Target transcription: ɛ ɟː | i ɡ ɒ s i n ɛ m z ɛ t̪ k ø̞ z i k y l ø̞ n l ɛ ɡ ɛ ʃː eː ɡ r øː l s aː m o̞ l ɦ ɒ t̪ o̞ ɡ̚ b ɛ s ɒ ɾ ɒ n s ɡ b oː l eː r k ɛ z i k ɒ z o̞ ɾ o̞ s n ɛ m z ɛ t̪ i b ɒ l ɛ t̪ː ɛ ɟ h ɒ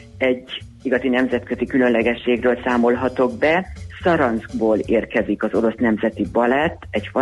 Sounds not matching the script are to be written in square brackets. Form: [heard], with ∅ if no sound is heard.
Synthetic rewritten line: ɛ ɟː | i ɡ ɒ [z] i n ɛ m z ɛ t̪ k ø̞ z i k y l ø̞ n l ɛ ɡ ɛ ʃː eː ɡ r øː l s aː m o̞ l ɦ ɒ t̪ o̞ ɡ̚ b ɛ s ɒ ɾ ɒ n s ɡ b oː l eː r k ɛ z i k ɒ z o̞ ɾ o̞ s n ɛ m z ɛ t̪ i b ɒ l ɛ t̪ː ɛ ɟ [f] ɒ